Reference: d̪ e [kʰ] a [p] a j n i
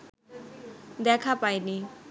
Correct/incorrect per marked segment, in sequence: correct, correct

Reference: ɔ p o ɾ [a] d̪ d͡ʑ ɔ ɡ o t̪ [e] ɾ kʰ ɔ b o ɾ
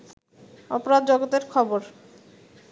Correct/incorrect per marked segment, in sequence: correct, correct

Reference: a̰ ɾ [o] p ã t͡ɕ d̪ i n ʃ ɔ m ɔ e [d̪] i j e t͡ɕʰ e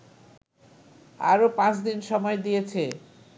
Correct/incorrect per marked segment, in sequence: correct, correct

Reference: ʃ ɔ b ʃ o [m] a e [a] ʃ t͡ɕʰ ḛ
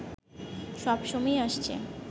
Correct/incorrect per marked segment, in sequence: correct, correct

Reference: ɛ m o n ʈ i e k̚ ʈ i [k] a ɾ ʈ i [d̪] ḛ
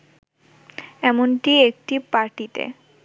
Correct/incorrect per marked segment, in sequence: incorrect, incorrect

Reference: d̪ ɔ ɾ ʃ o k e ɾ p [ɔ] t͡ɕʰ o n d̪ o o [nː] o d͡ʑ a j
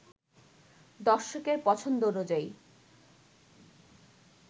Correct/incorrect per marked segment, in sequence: correct, incorrect

